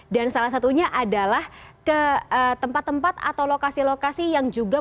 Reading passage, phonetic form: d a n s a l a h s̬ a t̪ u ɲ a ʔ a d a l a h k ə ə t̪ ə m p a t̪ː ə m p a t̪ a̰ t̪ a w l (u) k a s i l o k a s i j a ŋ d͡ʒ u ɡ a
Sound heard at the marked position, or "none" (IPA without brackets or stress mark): o